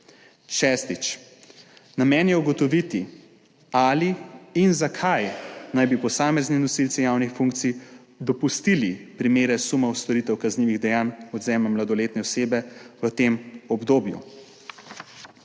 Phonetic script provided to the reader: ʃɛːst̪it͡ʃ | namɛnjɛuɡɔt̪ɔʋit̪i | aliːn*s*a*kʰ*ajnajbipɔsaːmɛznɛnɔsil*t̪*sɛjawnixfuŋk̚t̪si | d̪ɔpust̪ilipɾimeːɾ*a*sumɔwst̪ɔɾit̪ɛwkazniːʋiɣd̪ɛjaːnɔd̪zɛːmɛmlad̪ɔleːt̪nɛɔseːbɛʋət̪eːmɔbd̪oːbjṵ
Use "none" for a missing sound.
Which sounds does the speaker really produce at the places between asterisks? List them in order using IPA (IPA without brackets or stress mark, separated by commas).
z, kʰ, t̪, ɛ